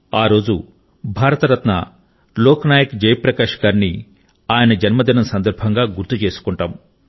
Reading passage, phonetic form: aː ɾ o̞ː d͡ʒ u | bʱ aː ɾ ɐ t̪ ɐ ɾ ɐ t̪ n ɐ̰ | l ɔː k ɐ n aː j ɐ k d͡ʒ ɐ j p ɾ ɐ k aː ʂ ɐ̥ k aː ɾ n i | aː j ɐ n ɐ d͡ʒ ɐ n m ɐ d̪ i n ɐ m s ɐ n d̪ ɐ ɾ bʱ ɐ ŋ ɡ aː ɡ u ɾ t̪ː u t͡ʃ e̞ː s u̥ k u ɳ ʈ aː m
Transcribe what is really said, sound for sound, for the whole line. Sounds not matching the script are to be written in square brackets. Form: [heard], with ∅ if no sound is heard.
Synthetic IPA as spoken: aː ɾ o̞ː d͡ʒ u | bʱ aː ɾ ɐ t̪ ɐ ɾ ɐ t̪ n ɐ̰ | l ɔː k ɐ n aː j ɐ k d͡ʒ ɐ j p ɾ ɐ k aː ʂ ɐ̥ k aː ɾ n i | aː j ɐ n ɐ d͡ʒ ɐ n m ɐ d̪ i n ɐ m s ɐ n d̪ ɐ ɾ bʱ ɐ ŋ ɡ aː ɡ u ɾ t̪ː u t͡ʃ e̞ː s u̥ k u ɳ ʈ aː m